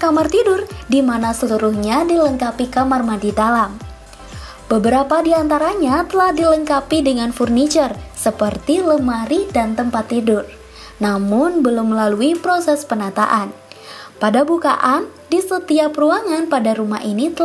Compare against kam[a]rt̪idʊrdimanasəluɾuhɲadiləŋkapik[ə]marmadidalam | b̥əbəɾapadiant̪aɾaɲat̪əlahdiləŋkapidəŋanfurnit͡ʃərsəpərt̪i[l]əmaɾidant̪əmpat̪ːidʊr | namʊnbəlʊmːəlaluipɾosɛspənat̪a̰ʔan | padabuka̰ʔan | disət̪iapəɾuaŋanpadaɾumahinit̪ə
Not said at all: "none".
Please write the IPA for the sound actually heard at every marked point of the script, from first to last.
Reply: a, a, l

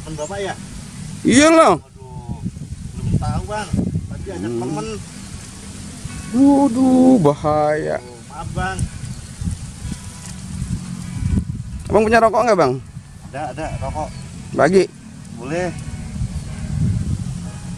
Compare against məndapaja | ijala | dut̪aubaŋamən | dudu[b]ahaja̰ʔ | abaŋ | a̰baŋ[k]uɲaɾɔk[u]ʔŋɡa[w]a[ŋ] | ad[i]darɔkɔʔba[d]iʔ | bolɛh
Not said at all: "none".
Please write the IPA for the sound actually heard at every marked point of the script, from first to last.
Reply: b, p, ɔ, b, ŋ, a, ɡ

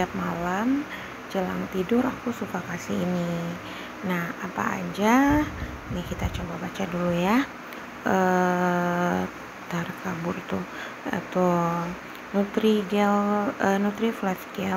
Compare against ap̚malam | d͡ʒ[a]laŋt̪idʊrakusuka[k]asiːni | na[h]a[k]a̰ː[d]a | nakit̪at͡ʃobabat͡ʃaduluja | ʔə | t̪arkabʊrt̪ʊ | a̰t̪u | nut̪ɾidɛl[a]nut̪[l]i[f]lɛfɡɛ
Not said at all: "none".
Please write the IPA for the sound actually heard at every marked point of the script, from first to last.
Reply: ə, k, h, p, d͡ʒ, ə, ɾ, f

